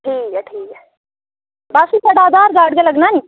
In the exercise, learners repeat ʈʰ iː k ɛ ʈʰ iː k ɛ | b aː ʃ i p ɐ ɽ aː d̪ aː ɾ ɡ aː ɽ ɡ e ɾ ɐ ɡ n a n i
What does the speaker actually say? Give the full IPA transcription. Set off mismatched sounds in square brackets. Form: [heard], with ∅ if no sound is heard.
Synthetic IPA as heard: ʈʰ iː k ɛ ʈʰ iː k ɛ | b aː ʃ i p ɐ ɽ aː d̪ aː ɾ ɡ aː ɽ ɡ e [l] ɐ ɡ n a n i